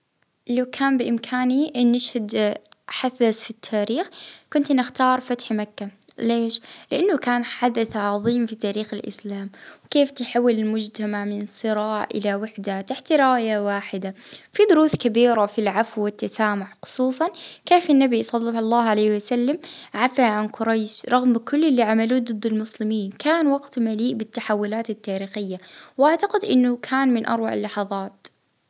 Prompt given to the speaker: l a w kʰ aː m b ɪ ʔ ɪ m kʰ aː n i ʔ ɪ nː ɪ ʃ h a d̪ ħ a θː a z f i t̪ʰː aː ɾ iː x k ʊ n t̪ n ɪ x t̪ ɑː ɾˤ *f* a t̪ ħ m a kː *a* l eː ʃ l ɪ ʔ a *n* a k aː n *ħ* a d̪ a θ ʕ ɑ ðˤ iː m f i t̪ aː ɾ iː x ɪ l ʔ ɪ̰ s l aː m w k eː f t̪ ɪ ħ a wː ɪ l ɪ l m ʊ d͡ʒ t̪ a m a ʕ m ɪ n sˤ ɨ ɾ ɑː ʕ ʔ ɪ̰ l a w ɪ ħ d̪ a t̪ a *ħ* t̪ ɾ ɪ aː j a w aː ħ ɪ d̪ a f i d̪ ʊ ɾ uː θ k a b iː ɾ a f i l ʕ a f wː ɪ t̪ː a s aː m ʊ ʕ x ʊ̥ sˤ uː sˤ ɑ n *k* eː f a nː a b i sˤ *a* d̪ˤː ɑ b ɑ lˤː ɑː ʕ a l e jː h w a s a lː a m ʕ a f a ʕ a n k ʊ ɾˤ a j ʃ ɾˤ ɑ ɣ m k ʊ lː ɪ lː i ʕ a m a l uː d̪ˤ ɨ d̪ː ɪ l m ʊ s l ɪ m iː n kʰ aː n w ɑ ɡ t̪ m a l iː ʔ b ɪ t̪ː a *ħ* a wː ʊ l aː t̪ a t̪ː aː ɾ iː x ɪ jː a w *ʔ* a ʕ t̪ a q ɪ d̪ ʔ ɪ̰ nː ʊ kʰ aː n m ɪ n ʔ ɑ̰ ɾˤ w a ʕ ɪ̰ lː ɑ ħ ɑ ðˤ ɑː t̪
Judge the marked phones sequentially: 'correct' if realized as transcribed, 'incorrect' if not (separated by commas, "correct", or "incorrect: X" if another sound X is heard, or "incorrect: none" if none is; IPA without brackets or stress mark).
correct, correct, incorrect: nː, correct, correct, correct, incorrect: ɑ, correct, correct